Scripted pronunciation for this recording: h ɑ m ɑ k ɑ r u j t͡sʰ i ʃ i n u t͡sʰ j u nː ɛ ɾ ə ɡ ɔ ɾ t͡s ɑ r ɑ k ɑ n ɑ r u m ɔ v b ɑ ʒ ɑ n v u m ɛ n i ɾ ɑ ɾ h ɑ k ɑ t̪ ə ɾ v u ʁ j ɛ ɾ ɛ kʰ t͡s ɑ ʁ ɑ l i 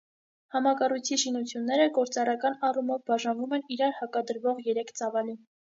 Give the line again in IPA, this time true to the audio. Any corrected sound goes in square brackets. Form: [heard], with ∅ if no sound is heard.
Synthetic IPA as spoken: h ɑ m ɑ k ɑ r u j t͡sʰ i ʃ i n u t͡sʰ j u nː ɛ ɾ ə ɡ ɔ ɾ t͡s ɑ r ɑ k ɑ n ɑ r u m ɔ v b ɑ ʒ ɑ n v u m ɛ n i ɾ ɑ ɾ h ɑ k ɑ [d̪] ə ɾ v [ɔ] ʁ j ɛ ɾ ɛ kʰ t͡s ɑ [v] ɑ l i